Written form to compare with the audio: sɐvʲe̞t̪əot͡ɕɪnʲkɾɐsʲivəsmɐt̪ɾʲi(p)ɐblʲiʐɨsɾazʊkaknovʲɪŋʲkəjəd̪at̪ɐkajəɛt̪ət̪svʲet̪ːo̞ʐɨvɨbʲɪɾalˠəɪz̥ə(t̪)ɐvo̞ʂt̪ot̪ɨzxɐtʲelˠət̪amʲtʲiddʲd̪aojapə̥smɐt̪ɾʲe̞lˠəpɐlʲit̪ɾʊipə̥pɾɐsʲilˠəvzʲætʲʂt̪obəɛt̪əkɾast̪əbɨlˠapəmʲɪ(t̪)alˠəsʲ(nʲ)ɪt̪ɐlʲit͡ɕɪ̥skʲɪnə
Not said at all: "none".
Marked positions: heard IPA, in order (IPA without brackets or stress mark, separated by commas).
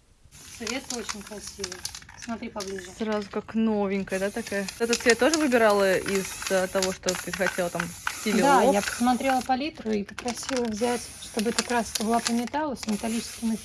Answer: p, t̪, t̪, mʲ